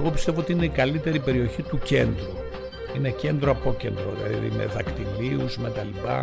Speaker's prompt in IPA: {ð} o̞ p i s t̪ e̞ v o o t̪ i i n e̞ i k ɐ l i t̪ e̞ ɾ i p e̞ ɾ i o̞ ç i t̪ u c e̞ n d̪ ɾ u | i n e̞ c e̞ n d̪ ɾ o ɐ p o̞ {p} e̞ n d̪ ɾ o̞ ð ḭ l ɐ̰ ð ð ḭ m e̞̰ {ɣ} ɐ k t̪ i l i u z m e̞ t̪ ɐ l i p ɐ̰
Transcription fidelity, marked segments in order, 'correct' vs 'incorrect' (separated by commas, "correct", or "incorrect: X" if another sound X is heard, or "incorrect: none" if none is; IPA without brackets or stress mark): incorrect: ɣ, incorrect: c, incorrect: ð